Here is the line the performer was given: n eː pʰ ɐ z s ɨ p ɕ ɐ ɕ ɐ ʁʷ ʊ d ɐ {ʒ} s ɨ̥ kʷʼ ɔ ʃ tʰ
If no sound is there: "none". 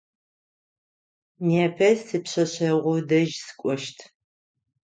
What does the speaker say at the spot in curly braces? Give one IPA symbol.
ʒ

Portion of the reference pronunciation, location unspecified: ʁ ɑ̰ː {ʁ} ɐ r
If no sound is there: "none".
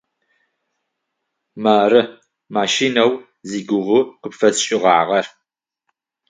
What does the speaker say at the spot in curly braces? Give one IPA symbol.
ʁ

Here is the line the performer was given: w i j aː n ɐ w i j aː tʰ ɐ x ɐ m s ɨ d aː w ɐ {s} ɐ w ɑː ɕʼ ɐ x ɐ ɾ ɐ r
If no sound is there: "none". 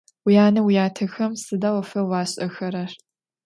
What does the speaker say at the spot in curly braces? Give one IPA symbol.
f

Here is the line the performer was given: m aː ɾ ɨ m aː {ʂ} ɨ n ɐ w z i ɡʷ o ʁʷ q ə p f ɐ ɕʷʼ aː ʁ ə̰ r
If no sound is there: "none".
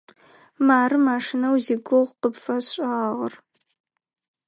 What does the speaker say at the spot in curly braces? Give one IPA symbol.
ʂ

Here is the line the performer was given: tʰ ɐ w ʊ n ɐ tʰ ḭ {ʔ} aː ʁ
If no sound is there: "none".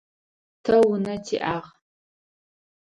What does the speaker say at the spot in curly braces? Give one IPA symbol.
ʔ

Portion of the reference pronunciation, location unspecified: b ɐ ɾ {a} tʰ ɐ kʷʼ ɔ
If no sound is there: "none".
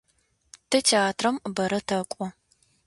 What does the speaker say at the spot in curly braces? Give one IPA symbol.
ɐ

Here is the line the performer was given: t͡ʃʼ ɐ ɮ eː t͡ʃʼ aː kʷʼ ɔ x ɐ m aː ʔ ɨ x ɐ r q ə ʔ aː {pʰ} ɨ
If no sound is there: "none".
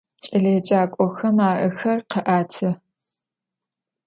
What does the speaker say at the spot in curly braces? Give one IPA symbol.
tʰ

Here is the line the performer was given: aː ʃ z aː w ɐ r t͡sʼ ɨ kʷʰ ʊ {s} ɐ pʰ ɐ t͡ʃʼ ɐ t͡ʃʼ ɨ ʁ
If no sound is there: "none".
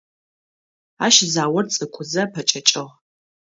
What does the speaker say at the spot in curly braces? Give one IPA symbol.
z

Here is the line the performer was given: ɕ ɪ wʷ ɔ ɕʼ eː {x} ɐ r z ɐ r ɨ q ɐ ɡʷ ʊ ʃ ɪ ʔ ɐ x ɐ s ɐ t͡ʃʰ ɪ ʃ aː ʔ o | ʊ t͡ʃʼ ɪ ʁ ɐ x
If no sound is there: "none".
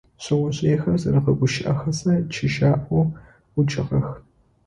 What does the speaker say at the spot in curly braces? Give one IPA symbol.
x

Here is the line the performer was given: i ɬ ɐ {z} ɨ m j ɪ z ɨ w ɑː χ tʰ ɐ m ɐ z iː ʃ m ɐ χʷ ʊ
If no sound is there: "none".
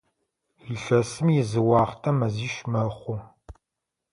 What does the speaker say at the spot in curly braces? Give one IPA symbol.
s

